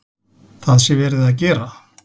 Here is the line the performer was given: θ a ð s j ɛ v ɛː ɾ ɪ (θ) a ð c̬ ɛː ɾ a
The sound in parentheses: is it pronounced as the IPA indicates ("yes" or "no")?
no